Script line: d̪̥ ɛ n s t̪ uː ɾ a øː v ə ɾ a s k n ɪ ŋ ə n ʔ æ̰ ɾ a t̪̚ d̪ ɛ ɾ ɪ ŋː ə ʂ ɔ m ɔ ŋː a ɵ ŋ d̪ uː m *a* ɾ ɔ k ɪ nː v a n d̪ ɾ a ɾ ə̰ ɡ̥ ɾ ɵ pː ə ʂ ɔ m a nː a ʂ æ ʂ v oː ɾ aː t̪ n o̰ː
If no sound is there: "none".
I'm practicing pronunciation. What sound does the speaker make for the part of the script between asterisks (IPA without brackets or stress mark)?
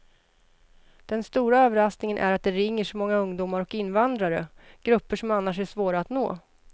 a